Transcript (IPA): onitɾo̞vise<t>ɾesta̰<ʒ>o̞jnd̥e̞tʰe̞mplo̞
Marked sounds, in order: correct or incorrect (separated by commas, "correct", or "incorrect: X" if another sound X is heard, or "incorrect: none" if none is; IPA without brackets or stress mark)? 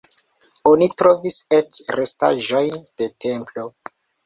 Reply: incorrect: t͡ʃ, correct